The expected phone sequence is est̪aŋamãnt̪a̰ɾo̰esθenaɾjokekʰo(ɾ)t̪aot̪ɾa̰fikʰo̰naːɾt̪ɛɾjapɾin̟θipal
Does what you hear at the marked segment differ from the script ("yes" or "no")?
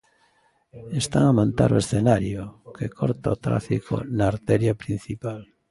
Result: no